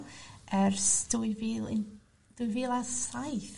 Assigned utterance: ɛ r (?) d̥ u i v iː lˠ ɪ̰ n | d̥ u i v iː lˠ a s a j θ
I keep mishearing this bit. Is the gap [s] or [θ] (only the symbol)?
s